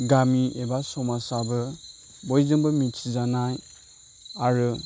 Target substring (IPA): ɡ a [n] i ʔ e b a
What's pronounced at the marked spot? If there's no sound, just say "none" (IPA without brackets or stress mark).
m